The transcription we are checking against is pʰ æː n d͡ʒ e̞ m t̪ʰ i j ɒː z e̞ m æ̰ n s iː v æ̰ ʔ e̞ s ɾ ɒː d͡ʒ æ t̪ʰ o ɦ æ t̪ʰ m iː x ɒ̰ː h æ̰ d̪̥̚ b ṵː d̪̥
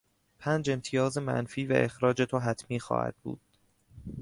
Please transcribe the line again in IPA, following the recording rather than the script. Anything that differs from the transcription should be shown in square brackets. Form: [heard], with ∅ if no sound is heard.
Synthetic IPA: pʰ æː n d͡ʒ e̞ m t̪ʰ i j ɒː z e̞ m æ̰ n [f] iː v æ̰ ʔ e̞ [x] ɾ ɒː d͡ʒ [e] t̪ʰ o ɦ æ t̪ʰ m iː x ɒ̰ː h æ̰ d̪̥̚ b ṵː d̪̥